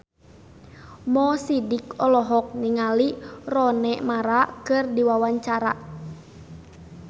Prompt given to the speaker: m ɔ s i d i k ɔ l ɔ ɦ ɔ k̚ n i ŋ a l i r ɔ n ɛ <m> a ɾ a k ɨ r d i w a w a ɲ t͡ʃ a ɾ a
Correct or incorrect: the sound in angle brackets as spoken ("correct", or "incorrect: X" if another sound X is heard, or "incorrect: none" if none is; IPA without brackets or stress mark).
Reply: correct